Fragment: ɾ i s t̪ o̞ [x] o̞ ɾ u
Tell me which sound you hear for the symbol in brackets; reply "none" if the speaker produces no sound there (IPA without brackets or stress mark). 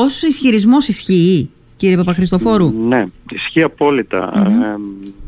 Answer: f